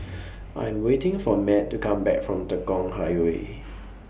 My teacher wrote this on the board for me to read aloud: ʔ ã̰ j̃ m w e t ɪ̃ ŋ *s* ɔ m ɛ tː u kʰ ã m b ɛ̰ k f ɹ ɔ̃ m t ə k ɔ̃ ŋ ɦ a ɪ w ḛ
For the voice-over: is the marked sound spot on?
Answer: no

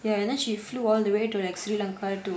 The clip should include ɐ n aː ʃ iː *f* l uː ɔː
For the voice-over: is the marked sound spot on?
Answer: yes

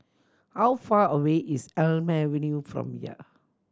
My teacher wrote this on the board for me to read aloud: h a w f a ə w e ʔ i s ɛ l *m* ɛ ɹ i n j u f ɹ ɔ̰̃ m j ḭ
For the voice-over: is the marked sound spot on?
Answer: yes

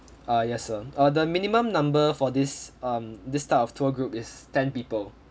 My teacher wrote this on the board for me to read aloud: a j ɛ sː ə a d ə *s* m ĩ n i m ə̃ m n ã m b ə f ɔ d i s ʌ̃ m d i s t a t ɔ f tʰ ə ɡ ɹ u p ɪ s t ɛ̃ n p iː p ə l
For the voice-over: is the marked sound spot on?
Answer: no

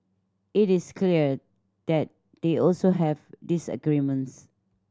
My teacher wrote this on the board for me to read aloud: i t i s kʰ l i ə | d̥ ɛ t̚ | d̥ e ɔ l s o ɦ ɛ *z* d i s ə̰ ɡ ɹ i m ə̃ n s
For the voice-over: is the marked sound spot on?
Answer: no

